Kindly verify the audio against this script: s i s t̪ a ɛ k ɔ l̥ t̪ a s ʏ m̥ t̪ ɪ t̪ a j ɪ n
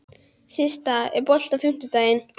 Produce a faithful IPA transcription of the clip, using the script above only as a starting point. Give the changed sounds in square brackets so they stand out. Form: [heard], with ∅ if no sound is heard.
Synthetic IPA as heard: s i s t̪ a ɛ [p] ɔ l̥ t̪ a [f] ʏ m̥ t̪ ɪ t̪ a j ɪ n